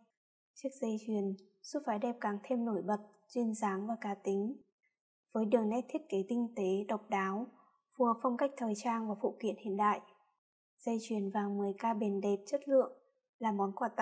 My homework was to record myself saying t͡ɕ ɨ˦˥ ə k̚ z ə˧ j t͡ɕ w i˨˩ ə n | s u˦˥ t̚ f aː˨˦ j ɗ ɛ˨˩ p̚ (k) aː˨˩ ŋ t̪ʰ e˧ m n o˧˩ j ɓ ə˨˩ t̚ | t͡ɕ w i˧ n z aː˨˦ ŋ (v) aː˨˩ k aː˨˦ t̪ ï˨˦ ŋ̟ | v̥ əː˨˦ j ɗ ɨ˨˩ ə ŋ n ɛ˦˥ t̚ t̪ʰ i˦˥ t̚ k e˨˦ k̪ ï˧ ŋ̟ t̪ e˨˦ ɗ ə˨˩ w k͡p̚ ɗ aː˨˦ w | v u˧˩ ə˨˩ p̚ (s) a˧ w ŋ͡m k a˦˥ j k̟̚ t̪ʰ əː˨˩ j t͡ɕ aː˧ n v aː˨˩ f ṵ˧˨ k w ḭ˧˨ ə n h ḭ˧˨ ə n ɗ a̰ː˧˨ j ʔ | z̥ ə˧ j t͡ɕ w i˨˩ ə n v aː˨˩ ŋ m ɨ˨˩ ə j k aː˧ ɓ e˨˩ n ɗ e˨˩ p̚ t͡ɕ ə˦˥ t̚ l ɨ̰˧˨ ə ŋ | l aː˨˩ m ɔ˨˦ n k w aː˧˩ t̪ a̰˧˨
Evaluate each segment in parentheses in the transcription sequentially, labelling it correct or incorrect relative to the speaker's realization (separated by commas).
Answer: correct, correct, incorrect